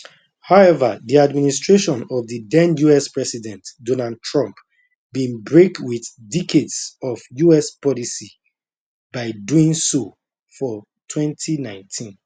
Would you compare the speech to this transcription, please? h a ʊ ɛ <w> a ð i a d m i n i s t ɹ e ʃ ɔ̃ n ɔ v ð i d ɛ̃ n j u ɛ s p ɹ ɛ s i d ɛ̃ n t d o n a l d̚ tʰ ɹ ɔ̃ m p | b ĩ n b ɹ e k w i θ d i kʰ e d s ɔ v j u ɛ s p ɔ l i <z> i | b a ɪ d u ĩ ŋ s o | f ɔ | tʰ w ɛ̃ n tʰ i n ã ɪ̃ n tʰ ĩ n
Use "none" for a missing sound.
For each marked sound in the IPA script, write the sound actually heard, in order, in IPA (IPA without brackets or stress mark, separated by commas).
v, s